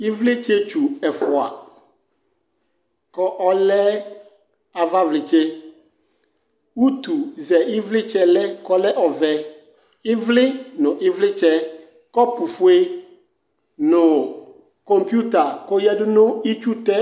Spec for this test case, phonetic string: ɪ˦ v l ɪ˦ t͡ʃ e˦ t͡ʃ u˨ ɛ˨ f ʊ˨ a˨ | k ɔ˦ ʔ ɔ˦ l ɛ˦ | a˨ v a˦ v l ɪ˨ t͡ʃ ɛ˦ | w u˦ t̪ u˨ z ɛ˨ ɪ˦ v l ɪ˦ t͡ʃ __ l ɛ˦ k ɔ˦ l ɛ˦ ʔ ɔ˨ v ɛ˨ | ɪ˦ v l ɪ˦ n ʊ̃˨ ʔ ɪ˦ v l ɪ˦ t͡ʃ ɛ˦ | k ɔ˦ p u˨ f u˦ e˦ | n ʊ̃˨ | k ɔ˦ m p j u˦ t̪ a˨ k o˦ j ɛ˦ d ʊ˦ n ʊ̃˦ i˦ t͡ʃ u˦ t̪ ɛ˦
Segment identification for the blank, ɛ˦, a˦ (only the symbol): ɛ˦